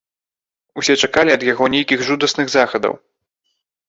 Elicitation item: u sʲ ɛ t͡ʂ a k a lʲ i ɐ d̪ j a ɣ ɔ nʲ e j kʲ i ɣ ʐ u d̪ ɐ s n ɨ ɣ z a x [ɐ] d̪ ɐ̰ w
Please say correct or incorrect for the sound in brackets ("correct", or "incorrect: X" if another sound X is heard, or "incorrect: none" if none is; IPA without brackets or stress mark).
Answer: correct